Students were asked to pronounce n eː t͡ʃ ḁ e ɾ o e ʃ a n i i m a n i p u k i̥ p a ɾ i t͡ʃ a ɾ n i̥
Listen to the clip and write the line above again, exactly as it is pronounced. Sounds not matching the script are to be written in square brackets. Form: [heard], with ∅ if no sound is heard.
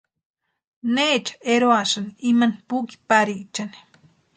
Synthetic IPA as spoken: n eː t͡ʃ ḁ e ɾ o [a] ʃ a n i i m a n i p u k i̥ p a ɾ i t͡ʃ a [∅] n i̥